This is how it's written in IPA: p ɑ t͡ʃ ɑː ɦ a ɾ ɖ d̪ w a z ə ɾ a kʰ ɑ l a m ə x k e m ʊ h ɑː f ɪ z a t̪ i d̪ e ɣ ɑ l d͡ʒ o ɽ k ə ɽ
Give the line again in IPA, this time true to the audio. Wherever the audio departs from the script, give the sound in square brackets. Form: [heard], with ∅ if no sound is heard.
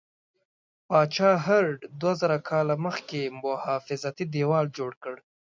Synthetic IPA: p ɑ t͡ʃ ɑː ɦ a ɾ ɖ d̪ w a z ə ɾ a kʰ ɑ l a m ə x k e m ʊ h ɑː f ɪ z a t̪ i d̪ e [w] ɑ l d͡ʒ o ɽ k ə ɽ